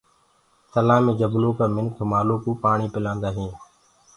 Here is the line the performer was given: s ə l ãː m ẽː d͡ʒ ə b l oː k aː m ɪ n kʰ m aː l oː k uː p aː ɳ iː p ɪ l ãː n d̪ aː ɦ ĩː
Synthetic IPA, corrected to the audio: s ə l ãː m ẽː d͡ʒ ə b l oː k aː m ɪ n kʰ m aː l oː k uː p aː ɳ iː p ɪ l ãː n d̪ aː ɦ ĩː